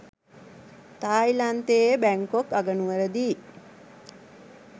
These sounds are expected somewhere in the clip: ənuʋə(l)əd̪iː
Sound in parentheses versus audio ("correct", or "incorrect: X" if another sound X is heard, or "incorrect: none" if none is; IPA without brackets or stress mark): incorrect: ɾ